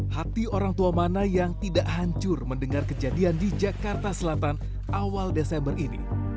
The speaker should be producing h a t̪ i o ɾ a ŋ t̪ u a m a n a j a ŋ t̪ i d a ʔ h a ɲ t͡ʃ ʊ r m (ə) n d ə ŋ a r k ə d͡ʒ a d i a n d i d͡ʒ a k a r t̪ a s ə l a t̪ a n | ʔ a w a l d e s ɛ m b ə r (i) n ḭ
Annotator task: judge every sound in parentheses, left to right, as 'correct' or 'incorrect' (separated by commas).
correct, correct